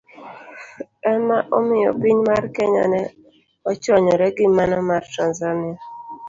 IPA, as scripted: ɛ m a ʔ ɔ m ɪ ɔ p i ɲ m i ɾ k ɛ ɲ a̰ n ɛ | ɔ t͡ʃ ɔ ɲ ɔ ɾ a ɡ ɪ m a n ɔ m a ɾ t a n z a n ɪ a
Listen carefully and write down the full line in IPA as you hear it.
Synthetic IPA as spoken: ɛ m a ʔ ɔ m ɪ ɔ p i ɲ m a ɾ k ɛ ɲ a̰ n ɛ | ɔ t͡ʃ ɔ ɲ ɔ ɾ ɛ ɡ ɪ m a n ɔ m a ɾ t a n z a n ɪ a

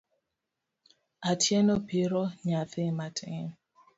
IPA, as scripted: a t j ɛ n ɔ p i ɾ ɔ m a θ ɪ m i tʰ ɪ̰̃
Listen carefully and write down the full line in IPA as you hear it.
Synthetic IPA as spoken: a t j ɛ n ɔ p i ɾ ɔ ɲ a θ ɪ m a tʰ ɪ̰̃

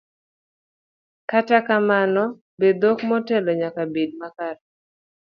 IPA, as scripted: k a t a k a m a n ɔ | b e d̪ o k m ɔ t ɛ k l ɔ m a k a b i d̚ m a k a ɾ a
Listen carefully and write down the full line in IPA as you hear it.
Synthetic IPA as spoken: k a t a k a m a n ɔ | b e d̪ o k m ɔ t ɛ l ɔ ɲ a k a b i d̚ m a k a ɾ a

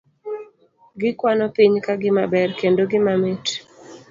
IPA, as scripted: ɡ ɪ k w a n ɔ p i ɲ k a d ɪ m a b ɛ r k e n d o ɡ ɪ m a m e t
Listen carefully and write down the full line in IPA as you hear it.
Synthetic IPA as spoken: ɡ ɪ k w a n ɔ p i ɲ k a ɡ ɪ m a b ɛ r k e n d o ɡ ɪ m a m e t

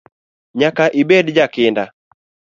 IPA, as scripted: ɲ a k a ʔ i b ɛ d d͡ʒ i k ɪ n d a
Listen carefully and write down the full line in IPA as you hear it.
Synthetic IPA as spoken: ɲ a k a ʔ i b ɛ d d͡ʒ a k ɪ n d a

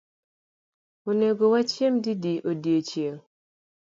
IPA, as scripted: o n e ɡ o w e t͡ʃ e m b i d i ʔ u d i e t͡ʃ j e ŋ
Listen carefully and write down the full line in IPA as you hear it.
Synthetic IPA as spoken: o n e ɡ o w a t͡ʃ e m d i d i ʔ o d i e t͡ʃ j e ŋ

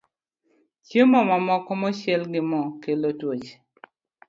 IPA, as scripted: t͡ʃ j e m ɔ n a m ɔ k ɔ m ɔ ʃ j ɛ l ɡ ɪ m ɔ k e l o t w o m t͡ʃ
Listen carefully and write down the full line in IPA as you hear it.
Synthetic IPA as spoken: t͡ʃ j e m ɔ m a m ɔ k ɔ m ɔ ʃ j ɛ l ɡ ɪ m ɔ k e l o t w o t͡ʃ

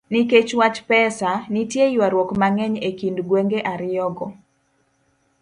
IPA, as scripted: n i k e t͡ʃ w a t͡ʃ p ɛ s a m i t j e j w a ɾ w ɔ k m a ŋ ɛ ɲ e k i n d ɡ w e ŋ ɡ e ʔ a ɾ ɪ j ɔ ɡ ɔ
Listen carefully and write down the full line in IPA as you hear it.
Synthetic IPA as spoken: n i k e t͡ʃ w a t͡ʃ p ɛ s a n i t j e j w a ɾ w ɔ k m a ŋ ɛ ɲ e k i n d ɡ w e ŋ ɡ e ʔ a ɾ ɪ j ɔ ɡ ɔ

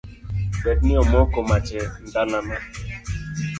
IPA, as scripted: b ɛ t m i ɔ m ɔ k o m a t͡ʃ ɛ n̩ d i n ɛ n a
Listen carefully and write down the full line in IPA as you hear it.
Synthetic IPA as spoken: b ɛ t n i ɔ m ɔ k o m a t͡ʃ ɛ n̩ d a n a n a

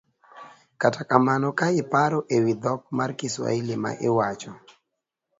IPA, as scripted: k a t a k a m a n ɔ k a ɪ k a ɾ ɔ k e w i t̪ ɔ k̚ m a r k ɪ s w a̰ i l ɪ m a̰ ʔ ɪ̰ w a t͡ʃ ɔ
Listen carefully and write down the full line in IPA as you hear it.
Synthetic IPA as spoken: k a t a k a m a n ɔ k a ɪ p a ɾ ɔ ʔ e w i d̪ ɔ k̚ m a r k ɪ s w a̰ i l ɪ m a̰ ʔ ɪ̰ w a t͡ʃ ɔ

